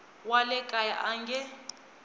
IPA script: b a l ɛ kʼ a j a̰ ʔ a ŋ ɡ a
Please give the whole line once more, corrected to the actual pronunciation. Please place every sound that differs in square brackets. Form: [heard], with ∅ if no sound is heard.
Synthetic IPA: [w] a l ɛ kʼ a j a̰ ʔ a ŋ ɡ [ɛ]